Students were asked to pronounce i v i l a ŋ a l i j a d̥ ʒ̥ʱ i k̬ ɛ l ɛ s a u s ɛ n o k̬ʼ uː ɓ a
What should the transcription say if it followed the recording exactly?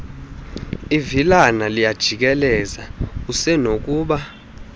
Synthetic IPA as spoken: i v i l a n a l i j a d̥ ʒ̥ʱ i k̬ ɛ l ɛ z a u s ɛ n o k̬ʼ uː ɓ a